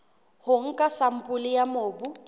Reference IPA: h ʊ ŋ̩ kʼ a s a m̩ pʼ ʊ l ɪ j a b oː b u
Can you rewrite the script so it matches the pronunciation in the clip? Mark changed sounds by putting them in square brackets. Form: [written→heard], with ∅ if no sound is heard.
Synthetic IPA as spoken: h ʊ ŋ̩ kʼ a s a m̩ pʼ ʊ l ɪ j a [b→m] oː b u